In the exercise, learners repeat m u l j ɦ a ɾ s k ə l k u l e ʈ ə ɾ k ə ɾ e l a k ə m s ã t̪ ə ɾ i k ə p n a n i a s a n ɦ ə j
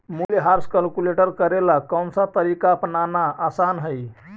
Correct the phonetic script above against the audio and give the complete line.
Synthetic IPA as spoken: m u l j ɦ a ɾ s k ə l k u l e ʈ ə ɾ k ə ɾ e l a k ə m s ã t̪ ə ɾ i k a p n a n a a s a n ɦ ə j